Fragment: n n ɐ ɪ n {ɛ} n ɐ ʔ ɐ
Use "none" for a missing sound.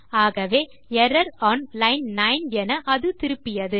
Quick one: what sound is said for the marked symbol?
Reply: ɛ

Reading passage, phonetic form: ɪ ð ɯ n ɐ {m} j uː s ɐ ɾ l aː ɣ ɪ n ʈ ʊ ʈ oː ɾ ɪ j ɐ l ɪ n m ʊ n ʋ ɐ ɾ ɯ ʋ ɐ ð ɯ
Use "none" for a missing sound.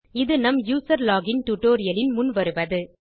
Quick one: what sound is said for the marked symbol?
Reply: m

